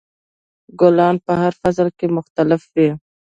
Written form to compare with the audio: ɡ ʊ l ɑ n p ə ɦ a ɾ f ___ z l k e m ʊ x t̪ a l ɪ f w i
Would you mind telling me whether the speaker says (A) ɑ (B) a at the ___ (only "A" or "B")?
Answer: B